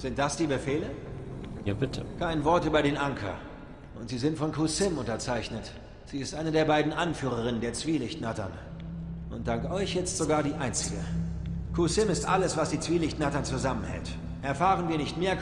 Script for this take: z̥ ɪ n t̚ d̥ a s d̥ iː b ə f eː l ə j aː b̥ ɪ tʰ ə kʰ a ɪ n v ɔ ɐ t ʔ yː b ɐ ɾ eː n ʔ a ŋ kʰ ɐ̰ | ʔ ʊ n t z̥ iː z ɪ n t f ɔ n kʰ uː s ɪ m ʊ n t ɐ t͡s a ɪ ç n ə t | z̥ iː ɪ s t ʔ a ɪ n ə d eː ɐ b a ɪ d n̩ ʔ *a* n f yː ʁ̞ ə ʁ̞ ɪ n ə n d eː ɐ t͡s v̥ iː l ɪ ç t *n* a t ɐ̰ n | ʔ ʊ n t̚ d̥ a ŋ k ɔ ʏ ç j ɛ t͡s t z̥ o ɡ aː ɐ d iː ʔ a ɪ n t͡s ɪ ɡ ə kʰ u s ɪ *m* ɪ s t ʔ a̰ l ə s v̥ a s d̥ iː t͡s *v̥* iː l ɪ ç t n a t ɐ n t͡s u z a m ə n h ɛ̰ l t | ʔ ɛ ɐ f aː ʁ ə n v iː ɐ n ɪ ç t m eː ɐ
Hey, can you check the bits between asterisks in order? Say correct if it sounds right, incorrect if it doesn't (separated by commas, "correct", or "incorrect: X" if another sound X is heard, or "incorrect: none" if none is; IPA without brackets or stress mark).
correct, correct, correct, correct